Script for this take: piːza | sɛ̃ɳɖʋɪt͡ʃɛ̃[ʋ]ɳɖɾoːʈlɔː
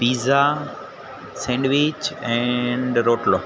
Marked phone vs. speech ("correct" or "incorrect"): incorrect